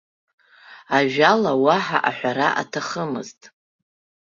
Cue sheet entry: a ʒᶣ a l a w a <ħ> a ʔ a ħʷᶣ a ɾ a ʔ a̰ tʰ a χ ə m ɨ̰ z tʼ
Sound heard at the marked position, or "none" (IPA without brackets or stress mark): ħ